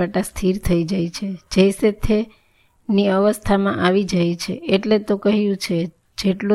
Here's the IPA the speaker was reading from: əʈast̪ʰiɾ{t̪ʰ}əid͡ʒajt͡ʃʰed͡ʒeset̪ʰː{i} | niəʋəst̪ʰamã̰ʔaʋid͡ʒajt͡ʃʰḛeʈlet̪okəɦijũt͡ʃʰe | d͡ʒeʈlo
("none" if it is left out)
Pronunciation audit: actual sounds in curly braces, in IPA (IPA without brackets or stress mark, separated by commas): t̪ʰ, e